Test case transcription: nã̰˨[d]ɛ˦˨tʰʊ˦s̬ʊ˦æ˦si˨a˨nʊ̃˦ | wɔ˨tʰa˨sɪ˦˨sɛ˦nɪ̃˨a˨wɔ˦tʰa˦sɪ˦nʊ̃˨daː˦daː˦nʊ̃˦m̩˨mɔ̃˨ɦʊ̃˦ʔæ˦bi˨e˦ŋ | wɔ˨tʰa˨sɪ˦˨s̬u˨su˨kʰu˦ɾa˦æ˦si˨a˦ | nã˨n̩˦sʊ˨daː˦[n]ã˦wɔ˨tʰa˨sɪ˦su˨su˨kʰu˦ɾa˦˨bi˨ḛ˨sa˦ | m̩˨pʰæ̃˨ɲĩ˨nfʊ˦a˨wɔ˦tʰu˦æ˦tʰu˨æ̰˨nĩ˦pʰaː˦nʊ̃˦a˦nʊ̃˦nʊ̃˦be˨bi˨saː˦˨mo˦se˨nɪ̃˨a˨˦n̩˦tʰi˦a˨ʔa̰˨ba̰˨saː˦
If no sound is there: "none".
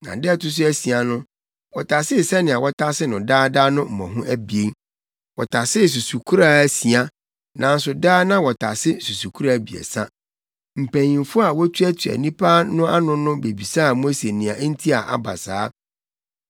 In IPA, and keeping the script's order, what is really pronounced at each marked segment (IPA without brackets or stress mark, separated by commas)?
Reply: d, n